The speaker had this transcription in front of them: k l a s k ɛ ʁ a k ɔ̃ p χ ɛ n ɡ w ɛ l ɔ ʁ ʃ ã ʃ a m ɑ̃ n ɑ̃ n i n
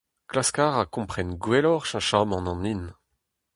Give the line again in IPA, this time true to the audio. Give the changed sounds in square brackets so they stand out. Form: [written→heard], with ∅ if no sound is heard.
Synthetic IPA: k l a s k [ɛ→a] ʁ a k ɔ̃ p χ ɛ n ɡ w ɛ l ɔ ʁ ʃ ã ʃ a m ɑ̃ n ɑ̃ n i n